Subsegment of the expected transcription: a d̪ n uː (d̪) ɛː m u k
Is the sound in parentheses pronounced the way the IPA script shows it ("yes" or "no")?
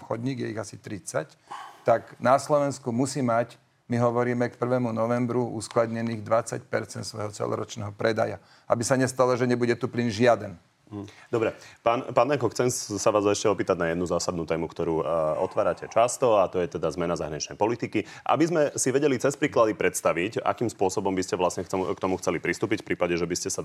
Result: no